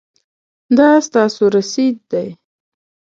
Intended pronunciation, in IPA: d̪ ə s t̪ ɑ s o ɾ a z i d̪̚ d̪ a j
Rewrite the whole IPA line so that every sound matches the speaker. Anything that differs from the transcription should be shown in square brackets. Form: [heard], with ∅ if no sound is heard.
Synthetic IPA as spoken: d̪ [ɑ] s t̪ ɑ s o ɾ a [s] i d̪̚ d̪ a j